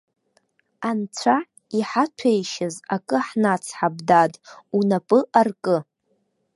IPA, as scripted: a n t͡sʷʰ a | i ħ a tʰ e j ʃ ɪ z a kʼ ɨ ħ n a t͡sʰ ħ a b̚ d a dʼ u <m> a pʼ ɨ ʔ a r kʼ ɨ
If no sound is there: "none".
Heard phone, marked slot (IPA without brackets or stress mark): n